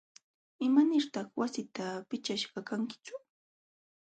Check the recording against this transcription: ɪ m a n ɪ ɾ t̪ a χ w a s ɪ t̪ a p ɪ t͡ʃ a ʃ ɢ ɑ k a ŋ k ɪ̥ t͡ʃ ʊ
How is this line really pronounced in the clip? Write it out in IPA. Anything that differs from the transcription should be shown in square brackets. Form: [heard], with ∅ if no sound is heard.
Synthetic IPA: ɪ m a n ɪ ɾ t̪ [ɑ] χ w a s ɪ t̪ a p ɪ t͡ʃ a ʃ ɢ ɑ k a ŋ k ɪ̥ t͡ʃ ʊ